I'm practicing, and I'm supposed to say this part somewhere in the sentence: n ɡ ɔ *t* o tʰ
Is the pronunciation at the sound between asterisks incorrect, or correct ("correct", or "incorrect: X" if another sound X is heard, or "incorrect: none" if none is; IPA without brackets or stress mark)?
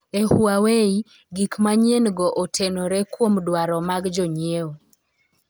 incorrect: ʔ